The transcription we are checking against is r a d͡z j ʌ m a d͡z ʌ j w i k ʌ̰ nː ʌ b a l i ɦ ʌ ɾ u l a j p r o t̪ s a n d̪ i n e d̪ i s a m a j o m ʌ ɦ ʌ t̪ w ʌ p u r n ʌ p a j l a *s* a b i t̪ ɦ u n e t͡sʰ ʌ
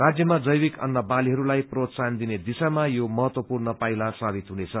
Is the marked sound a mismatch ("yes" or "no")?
no